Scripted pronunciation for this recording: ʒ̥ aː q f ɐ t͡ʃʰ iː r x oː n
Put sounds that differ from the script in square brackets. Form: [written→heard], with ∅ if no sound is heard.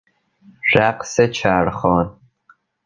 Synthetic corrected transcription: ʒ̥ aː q [f→s] ɐ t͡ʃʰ [iː→aː] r [x→χ] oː n